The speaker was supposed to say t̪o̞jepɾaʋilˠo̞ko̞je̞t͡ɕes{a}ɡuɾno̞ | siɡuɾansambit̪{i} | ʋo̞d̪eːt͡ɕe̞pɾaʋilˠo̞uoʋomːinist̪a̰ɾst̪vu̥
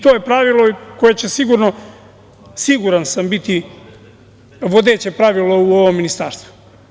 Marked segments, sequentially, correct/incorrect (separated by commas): incorrect, correct